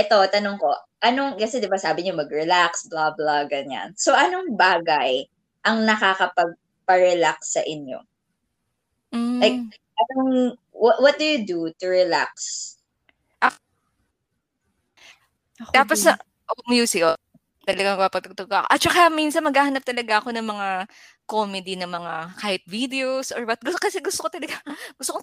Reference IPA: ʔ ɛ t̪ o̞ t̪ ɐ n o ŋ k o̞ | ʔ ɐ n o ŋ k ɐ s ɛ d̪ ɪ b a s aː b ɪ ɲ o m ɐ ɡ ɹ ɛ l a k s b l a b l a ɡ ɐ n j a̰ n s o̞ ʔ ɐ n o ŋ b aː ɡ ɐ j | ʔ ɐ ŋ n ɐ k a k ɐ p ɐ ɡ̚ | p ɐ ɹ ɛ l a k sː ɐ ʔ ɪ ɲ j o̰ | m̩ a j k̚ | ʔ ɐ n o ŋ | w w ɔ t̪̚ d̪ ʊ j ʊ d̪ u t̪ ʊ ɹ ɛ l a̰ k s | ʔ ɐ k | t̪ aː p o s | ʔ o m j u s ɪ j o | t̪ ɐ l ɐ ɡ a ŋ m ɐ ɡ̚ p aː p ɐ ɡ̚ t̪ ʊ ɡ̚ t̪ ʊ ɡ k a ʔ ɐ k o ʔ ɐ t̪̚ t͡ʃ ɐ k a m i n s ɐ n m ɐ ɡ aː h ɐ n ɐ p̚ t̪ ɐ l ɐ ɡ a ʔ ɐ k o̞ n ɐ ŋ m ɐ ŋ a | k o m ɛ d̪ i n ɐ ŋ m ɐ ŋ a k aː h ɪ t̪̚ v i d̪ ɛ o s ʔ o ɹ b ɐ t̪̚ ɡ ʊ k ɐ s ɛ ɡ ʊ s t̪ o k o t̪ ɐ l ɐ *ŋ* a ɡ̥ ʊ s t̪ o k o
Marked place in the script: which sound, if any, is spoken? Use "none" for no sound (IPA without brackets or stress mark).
ɡ